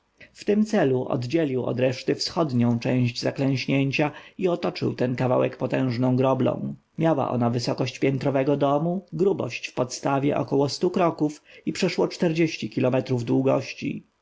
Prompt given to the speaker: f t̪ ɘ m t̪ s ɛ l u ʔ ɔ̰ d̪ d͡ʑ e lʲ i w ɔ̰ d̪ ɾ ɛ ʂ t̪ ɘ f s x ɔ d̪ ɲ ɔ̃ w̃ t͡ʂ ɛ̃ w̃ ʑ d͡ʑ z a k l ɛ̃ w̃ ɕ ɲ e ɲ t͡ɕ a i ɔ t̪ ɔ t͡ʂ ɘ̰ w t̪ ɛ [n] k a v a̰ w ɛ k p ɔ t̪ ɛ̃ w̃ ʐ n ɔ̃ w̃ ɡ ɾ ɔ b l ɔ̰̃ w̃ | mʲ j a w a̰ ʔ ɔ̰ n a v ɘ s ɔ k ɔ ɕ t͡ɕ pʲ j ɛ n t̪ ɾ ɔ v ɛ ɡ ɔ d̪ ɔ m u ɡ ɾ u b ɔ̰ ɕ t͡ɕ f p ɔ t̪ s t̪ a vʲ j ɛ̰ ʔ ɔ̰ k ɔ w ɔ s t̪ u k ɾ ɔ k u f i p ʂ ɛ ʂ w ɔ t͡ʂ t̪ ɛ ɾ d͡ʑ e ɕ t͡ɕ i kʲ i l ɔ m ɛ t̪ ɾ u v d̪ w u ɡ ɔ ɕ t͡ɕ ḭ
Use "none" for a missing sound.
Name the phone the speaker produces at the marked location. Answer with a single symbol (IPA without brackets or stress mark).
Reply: n